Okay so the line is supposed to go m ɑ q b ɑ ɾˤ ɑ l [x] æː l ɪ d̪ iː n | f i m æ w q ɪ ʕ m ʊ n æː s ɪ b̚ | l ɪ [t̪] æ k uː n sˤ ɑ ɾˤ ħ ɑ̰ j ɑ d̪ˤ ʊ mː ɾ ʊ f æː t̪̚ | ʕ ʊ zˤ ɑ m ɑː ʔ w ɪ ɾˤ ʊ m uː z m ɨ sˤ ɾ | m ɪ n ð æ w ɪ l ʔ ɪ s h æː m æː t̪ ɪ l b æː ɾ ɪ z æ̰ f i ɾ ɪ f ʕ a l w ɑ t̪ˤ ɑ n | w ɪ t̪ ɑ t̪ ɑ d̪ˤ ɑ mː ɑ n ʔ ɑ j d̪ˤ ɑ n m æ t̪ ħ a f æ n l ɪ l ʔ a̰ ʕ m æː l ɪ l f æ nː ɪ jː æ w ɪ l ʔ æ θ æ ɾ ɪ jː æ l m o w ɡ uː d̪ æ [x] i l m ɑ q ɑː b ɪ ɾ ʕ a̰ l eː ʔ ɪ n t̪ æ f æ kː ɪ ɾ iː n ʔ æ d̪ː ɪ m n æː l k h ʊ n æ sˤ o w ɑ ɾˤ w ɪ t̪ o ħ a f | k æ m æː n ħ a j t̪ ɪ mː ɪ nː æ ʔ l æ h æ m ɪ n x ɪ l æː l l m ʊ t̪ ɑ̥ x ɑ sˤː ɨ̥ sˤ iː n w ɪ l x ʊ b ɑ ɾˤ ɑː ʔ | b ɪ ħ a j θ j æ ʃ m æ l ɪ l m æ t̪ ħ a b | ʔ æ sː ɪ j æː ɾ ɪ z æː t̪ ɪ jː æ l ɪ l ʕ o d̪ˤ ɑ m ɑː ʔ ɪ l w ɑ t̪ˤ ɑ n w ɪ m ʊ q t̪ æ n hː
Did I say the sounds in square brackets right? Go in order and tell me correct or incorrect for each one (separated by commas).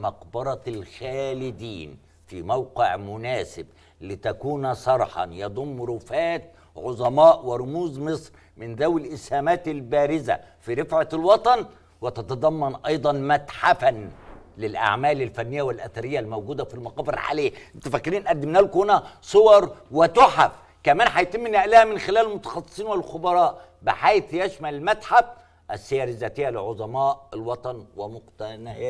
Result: correct, correct, incorrect